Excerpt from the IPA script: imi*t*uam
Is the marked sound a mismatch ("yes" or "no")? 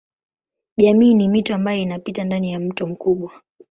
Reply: no